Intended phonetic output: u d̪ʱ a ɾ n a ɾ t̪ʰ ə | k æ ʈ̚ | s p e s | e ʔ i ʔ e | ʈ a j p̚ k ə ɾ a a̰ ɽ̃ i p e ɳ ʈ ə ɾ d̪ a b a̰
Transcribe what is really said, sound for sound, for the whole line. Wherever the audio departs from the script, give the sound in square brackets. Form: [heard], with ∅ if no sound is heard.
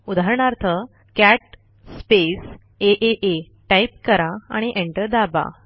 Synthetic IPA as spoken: u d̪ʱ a ɾ [ɳ] a ɾ t̪ʰ ə | k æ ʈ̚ | s p e s | e ʔ [e] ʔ e | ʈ a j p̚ k ə ɾ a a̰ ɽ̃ i [ʔ] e ɳ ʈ ə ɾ d̪ a b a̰